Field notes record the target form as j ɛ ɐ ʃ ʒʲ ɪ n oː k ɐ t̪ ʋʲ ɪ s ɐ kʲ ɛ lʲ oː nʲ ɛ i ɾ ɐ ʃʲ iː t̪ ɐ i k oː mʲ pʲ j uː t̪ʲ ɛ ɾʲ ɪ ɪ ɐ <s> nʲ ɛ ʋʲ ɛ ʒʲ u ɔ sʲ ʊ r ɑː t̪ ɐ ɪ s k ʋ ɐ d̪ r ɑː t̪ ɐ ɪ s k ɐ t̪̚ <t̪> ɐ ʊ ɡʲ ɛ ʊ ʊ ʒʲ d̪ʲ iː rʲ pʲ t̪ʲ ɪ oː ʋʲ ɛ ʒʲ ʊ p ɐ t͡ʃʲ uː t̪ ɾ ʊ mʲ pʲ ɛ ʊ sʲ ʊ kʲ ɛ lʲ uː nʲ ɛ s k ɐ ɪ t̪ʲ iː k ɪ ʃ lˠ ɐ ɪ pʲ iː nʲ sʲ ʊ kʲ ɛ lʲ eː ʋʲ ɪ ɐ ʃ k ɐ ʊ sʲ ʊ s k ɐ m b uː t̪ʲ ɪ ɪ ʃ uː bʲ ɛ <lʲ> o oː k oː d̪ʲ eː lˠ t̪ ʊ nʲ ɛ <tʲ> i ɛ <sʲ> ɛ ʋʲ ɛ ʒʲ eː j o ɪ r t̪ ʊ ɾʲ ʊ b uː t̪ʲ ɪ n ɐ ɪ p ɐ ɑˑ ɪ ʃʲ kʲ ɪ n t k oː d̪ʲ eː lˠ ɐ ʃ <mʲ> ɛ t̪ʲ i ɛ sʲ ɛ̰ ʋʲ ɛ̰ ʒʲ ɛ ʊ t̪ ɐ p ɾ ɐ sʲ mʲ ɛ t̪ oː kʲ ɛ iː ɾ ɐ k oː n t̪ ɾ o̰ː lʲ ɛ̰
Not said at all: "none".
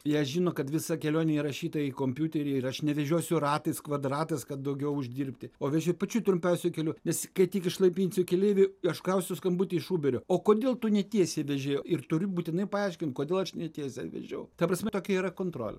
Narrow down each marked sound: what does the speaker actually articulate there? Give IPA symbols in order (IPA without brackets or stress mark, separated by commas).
ʃ, d̪, ɾʲ, tʲ, sʲ, nʲ